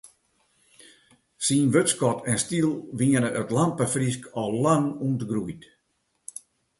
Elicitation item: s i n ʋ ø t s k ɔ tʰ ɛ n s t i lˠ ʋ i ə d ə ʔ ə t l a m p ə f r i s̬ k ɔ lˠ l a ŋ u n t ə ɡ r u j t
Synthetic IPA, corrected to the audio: s i n ʋ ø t s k ɔ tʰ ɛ n s t i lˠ ʋ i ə n ə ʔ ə t l a m p ə f r i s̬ k ɔ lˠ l a ŋ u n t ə ɡ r u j t